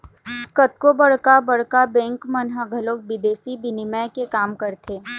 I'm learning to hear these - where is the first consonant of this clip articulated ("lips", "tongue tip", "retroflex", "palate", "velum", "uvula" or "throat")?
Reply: velum